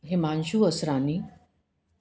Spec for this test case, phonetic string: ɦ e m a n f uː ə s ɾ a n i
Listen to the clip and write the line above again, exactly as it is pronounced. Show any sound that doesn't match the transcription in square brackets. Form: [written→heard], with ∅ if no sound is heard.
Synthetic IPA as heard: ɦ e m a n [f→ɕ] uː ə s ɾ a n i